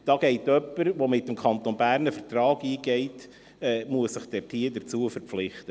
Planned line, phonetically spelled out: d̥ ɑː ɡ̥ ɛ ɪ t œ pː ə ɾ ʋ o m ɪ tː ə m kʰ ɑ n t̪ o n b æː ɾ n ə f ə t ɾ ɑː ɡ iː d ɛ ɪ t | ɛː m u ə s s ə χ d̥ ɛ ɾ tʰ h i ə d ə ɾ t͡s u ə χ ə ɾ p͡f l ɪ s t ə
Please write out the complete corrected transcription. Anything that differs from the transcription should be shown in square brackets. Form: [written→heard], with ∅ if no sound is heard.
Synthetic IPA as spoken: d̥ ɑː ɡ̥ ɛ ɪ t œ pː ə ɾ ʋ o m ɪ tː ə m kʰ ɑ n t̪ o n b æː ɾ n ə f ə t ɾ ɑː ɡ iː [d→ɡ] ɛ ɪ t | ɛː m u ə s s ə χ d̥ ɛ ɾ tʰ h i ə d ə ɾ t͡s u ə [χ→f] ə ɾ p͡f l ɪ [s→χ] t ə